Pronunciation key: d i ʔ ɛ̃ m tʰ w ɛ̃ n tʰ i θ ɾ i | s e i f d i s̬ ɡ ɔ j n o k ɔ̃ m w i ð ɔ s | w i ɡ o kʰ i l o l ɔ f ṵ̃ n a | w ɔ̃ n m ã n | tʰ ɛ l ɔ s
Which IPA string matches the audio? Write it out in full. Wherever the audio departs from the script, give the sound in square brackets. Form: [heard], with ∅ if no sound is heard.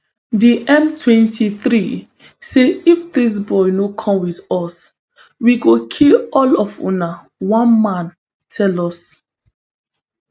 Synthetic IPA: d i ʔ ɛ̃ m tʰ w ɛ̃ n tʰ i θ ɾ i | s e i f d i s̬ [b] ɔ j n o [kʰ] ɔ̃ m w i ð ɔ s | w i ɡ o kʰ i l [ɔ] l ɔ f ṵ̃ n a | w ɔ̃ n m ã n | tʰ ɛ l ɔ s